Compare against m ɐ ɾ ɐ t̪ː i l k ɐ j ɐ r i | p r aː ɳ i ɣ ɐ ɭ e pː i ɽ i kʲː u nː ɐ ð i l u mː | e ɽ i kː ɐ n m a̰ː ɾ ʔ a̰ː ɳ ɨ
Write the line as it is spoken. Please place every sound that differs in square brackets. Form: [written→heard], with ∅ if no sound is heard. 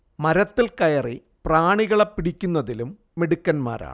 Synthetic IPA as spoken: m ɐ ɾ ɐ t̪ː i l k ɐ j ɐ r i | p r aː ɳ i ɣ ɐ ɭ e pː i ɽ i kʲː u nː ɐ ð i l u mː | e ɽ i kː ɐ n m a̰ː ɾ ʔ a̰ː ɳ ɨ

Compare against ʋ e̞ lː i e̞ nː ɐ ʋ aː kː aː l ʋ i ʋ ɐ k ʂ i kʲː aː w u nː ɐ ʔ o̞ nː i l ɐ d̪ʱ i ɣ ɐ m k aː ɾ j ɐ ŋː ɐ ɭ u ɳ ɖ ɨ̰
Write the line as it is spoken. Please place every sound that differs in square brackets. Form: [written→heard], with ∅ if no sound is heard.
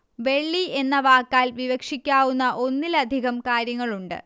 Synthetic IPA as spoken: ʋ e̞ [lː→ɭː] i e̞ nː ɐ ʋ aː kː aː l ʋ i ʋ ɐ k ʂ i kʲː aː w u nː ɐ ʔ o̞ nː i l ɐ d̪ʱ i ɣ ɐ m k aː ɾ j ɐ ŋː ɐ ɭ u ɳ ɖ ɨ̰

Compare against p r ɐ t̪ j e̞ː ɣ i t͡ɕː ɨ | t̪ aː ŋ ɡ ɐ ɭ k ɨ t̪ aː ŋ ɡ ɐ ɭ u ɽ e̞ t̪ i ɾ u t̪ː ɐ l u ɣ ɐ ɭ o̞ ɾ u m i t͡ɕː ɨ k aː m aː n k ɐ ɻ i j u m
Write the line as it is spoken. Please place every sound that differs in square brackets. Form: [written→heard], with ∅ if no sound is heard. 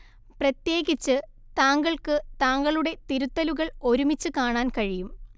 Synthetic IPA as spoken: p r ɐ t̪ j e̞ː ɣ i t͡ɕː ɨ | t̪ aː ŋ ɡ ɐ ɭ k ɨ t̪ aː ŋ ɡ ɐ ɭ u ɽ e̞ t̪ i ɾ u t̪ː ɐ l u ɣ ɐ ɭ o̞ ɾ u m i t͡ɕː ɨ k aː [m→ɳ] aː n k ɐ ɻ i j u m

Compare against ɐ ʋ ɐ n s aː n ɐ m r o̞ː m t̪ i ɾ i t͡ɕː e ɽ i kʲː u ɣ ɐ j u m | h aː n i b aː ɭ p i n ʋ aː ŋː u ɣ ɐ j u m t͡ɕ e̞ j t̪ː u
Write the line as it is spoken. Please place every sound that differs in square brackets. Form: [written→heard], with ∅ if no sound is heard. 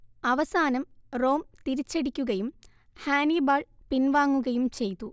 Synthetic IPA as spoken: ɐ ʋ ɐ [n→∅] s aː n ɐ m r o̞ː m t̪ i ɾ i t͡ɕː e ɽ i kʲː u ɣ ɐ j u m | h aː n i b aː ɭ p i n ʋ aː ŋː u ɣ ɐ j u m t͡ɕ e̞ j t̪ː u

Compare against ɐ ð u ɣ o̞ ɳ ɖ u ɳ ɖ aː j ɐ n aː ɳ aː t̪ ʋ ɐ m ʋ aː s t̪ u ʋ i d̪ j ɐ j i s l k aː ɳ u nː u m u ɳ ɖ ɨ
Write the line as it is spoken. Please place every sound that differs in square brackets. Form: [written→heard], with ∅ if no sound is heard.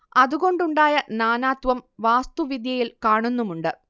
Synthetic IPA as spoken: ɐ ð u ɣ o̞ ɳ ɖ u ɳ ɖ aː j ɐ n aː [ɳ→n] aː t̪ ʋ ɐ m ʋ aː s t̪ u ʋ i d̪ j ɐ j i [s→∅] l k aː ɳ u nː u m u ɳ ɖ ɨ

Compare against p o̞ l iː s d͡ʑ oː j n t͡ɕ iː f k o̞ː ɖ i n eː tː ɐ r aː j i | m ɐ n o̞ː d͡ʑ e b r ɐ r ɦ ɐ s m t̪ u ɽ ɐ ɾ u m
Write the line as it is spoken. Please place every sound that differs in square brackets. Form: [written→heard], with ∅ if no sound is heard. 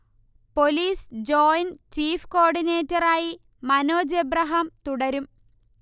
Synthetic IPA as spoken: p o̞ l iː s d͡ʑ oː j n t͡ɕ iː f k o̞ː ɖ i n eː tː ɐ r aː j i | m ɐ n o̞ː d͡ʑ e b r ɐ [r→∅] ɦ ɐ [s→∅] m t̪ u ɽ ɐ ɾ u m

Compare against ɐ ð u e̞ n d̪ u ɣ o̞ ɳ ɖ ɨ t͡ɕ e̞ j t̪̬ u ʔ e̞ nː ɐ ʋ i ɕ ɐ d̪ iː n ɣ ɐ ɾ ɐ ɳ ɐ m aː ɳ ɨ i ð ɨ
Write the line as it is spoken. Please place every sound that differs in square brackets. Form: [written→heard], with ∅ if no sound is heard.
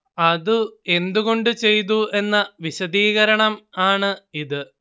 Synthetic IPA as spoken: ɐ ð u e̞ n d̪ u ɣ o̞ ɳ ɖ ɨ t͡ɕ e̞ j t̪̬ u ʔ e̞ nː ɐ ʋ i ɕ ɐ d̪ iː [n→∅] ɣ ɐ ɾ ɐ ɳ ɐ m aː ɳ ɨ i ð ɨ

